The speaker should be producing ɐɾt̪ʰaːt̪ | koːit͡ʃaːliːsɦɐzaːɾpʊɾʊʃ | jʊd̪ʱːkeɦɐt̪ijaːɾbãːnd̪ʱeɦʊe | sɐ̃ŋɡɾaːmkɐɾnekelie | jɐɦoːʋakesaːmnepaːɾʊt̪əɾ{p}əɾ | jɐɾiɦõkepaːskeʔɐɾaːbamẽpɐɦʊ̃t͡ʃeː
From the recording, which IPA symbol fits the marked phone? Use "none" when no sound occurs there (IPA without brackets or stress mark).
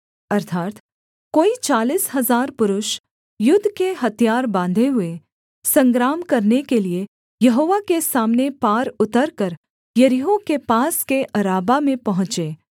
k